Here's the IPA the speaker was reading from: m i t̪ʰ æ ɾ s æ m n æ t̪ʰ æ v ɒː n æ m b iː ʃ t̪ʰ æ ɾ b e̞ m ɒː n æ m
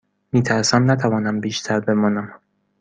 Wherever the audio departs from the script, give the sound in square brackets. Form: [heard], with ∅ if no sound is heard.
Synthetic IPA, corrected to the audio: m [iː] t̪ʰ æ ɾ s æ m n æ t̪ʰ æ v ɒː n æ m b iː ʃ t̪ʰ æ ɾ b e̞ m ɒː n æ m

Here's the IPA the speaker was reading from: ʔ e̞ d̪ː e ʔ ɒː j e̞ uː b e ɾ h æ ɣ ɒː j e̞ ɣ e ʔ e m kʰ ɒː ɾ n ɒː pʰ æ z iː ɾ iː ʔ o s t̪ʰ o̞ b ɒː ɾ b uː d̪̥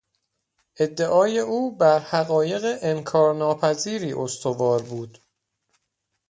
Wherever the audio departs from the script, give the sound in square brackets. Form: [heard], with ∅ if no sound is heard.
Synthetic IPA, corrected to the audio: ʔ e̞ d̪ː e ʔ ɒː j e̞ uː b [æ] ɾ h æ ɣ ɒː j e̞ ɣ e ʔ e m kʰ ɒː ɾ n ɒː pʰ æ z iː ɾ iː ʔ o s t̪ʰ o̞ [v] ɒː ɾ b uː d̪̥

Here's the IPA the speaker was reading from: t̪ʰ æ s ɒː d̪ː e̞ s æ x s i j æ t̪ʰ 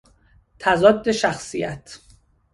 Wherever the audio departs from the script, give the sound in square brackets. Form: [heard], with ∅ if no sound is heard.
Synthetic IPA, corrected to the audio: t̪ʰ æ [z] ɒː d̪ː e̞ [ʃ] æ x s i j æ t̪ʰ

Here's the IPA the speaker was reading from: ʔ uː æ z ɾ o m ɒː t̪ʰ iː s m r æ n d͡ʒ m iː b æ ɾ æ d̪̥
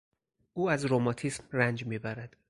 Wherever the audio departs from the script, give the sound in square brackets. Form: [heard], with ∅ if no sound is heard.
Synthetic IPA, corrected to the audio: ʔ uː æ z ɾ o m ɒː t̪ʰ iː s m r æ n d͡ʒ m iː b æ ɾ æ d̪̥

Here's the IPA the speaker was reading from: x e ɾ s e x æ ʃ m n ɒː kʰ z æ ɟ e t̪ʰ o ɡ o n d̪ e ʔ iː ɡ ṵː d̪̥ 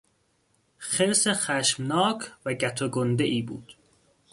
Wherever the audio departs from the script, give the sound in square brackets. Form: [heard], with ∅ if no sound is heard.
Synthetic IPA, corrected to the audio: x e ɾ s e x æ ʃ m n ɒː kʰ [v] æ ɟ [æ] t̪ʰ o ɡ o n d̪ e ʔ iː [b] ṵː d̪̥

